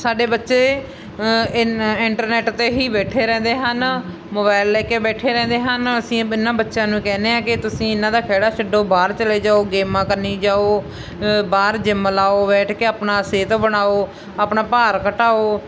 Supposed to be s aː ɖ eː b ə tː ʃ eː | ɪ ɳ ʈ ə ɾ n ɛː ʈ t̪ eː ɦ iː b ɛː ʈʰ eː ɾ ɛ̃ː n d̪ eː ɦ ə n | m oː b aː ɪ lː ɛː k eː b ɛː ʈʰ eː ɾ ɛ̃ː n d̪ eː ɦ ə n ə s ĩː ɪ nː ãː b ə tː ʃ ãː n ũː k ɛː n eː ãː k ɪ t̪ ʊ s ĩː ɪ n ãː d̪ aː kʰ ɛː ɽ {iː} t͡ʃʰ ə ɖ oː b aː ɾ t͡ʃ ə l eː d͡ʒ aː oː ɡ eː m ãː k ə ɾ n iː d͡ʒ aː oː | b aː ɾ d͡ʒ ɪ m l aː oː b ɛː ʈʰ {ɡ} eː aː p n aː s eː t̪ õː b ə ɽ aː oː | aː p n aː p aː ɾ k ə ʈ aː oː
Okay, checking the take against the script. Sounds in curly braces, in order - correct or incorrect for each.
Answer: incorrect: aː, incorrect: k

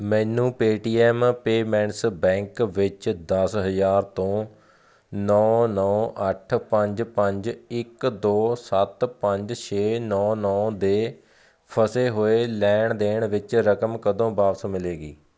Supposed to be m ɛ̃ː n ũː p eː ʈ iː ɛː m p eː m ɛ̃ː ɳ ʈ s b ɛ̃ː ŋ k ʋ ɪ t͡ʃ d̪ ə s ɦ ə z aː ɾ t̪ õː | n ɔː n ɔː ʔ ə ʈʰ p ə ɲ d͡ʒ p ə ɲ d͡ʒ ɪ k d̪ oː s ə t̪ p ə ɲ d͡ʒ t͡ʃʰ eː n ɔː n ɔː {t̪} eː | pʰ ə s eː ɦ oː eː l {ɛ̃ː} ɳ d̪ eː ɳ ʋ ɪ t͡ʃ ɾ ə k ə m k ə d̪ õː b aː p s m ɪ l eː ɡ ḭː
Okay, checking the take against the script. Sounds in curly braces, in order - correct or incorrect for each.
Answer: incorrect: d̪, incorrect: ɛː

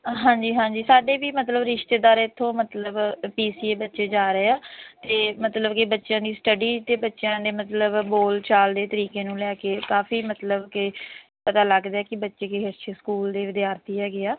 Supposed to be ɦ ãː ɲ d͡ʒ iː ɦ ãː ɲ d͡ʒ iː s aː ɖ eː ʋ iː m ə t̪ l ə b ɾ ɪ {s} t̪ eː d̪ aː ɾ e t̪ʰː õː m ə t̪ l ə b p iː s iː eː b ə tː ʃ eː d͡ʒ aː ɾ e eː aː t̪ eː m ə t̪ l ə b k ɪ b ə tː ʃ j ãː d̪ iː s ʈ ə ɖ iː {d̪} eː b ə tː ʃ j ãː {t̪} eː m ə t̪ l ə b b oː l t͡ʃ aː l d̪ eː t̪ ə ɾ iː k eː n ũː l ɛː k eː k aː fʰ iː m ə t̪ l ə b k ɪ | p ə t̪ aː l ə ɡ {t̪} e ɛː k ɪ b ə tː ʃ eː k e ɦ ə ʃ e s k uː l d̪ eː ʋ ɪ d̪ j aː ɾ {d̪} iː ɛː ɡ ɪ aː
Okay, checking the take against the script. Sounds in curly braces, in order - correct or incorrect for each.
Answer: incorrect: ʃ, incorrect: t̪, incorrect: d̪, incorrect: d̪, incorrect: t̪

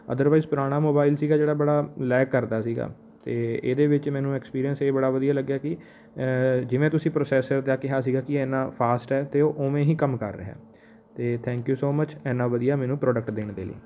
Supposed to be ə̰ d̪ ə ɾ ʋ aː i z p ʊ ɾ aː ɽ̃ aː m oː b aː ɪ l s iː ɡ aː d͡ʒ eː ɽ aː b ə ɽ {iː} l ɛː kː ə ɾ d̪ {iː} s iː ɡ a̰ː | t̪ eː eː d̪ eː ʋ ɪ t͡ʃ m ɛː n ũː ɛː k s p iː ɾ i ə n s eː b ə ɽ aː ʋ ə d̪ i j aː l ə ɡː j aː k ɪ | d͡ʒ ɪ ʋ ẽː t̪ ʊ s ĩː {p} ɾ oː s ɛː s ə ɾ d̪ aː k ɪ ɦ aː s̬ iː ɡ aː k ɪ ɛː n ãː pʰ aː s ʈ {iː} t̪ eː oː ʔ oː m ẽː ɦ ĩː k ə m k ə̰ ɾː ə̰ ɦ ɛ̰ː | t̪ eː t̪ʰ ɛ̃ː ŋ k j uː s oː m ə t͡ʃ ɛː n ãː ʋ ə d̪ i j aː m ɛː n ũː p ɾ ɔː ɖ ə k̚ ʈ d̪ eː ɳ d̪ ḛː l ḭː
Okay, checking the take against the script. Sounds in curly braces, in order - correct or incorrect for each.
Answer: incorrect: aː, incorrect: aː, correct, incorrect: ɛː

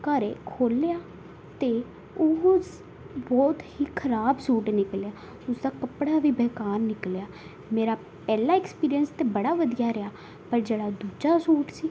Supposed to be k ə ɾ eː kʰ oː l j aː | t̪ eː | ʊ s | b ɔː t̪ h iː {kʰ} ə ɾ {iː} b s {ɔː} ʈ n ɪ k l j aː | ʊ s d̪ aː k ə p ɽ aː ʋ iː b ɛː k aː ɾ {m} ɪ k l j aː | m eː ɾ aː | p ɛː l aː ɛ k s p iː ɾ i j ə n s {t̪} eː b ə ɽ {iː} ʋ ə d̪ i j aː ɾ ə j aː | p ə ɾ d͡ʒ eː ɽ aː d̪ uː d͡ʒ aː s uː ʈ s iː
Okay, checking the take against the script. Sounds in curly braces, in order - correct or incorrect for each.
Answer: correct, incorrect: aː, incorrect: uː, incorrect: n, correct, incorrect: aː

